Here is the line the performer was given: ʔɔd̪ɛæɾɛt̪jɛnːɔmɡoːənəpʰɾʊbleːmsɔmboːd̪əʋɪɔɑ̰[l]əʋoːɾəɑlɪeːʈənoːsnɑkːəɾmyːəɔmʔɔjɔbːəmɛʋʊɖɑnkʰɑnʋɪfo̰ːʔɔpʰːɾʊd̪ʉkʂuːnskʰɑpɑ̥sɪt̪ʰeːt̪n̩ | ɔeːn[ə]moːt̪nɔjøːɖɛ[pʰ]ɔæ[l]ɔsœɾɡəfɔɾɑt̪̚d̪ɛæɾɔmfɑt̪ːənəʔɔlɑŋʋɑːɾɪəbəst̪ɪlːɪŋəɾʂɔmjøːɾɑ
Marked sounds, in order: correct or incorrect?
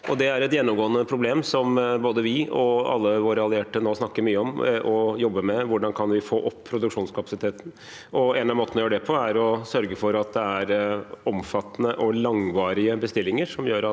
incorrect: lː, incorrect: ɑ, correct, incorrect: ɾ

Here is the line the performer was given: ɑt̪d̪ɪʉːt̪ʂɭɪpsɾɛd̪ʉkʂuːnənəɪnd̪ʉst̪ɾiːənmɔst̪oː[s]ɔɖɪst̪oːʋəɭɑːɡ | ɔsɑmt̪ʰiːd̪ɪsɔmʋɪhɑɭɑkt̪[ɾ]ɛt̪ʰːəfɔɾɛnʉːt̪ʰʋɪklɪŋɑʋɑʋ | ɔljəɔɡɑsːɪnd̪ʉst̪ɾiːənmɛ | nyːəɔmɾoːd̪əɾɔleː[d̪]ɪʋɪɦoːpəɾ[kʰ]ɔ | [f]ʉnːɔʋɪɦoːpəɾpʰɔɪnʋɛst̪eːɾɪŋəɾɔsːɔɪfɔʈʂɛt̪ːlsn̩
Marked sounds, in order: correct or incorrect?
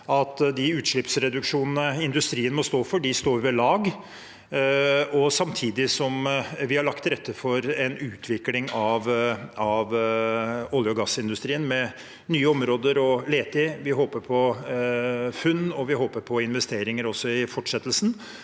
incorrect: f, correct, incorrect: t̪, incorrect: pʰ, correct

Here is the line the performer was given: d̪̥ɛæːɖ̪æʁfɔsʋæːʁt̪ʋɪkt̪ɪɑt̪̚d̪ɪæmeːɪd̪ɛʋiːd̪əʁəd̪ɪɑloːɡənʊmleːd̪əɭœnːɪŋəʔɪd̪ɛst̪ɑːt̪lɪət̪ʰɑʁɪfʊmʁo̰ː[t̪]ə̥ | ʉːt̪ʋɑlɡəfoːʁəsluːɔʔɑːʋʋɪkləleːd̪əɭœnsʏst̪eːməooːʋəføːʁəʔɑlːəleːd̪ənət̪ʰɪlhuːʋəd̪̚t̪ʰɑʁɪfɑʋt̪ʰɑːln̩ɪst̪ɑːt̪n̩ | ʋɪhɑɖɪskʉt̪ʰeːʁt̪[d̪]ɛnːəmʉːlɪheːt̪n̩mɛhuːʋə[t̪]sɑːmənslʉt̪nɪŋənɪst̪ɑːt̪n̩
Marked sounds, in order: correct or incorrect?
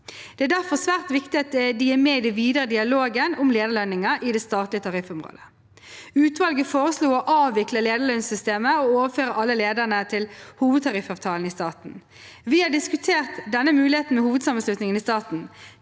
incorrect: d̪, correct, incorrect: d̪

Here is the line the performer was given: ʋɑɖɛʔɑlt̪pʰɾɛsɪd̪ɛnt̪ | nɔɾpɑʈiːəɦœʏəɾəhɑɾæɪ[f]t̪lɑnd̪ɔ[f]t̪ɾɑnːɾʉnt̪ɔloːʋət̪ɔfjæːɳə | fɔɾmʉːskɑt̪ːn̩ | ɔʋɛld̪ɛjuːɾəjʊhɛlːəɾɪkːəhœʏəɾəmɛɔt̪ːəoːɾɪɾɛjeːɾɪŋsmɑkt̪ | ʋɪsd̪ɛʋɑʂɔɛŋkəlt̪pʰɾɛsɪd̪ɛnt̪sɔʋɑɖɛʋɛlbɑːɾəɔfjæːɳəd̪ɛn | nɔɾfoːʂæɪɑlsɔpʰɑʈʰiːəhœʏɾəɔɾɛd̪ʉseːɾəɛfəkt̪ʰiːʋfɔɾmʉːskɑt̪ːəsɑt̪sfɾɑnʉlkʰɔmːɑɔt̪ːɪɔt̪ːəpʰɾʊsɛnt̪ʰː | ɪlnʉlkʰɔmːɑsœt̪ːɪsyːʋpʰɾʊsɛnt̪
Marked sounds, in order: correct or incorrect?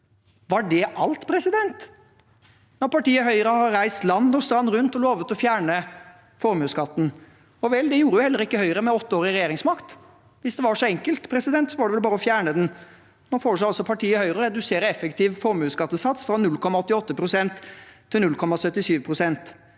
incorrect: s, incorrect: s

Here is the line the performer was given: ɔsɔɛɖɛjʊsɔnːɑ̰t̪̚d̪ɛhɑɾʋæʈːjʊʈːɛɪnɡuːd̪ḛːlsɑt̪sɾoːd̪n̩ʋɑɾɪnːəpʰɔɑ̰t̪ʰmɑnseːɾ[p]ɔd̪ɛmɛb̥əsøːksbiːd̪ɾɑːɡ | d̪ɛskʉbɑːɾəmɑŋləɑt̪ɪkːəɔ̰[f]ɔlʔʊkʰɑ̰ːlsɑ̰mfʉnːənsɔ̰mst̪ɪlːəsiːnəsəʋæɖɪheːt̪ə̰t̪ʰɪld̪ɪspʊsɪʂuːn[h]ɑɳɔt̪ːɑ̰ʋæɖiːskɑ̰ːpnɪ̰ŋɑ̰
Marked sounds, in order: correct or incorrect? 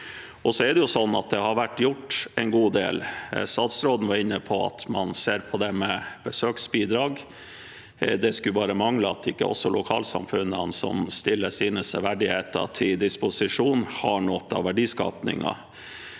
incorrect: pʰ, incorrect: s, correct

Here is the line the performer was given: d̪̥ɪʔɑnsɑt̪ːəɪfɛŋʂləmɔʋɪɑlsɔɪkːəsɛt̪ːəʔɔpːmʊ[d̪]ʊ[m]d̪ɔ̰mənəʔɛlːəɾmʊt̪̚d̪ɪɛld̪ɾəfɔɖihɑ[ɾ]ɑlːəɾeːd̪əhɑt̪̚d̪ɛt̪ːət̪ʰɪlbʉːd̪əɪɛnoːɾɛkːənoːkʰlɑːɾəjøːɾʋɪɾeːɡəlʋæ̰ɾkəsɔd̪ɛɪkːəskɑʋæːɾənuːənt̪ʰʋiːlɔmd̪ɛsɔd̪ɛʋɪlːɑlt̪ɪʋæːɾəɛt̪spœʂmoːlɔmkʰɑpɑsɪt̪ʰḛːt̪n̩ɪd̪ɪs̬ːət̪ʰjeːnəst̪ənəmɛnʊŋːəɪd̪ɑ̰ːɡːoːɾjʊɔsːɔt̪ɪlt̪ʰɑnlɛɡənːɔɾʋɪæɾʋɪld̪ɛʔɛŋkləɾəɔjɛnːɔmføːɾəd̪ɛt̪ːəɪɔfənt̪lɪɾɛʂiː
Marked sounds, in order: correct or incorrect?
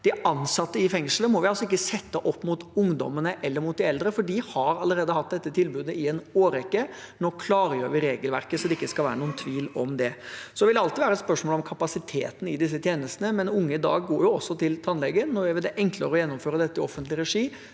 incorrect: t̪, incorrect: ŋ, correct

